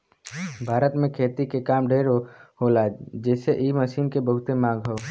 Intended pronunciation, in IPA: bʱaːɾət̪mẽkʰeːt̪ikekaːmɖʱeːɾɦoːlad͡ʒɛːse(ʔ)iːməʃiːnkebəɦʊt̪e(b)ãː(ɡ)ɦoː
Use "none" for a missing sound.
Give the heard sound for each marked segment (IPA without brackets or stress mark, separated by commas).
ʔ, m, ɡ